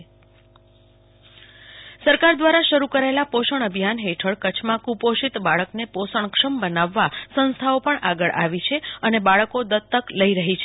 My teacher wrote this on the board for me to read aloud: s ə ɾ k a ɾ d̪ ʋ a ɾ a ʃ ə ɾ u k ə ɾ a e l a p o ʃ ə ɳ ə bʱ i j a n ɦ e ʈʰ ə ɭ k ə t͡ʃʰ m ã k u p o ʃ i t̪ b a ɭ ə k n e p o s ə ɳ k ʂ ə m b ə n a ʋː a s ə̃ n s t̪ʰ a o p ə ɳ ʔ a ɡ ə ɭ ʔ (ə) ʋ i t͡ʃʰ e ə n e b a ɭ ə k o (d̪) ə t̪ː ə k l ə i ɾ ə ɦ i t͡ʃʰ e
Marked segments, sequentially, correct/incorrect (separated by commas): incorrect, correct